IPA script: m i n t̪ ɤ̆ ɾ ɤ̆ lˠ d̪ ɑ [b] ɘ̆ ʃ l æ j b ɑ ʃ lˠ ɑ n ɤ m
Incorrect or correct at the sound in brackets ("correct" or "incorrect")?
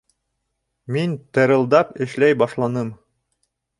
incorrect